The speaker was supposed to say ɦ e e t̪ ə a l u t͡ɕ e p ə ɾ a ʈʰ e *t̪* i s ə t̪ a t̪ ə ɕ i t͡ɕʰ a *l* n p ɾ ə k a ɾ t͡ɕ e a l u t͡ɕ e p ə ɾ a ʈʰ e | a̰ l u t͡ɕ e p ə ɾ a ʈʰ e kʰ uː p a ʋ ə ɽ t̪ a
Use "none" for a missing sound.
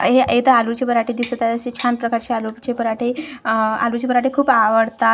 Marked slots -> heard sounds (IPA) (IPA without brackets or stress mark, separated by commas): d̪, none